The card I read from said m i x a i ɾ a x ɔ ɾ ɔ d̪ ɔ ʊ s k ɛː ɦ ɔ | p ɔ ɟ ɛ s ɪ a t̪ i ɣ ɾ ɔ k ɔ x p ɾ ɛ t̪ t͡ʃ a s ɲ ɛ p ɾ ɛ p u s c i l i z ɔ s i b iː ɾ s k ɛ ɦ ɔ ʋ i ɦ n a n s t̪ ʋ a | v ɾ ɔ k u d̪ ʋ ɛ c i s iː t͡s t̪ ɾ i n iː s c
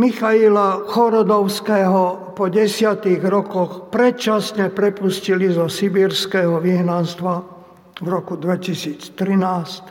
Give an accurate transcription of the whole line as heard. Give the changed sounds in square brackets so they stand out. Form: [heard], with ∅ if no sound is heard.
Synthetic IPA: m i x a i [l] a x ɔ ɾ ɔ d̪ ɔ ʊ s k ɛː ɦ ɔ | p ɔ ɟ ɛ s ɪ a t̪ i ɣ ɾ ɔ k ɔ x p ɾ ɛ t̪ t͡ʃ a s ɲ ɛ p ɾ ɛ p u s c i l i z ɔ s i b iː ɾ s k ɛ ɦ ɔ ʋ i ɦ n a n s t̪ ʋ a | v ɾ ɔ k u d̪ ʋ ɛ c i s iː t͡s t̪ ɾ i n [aː] s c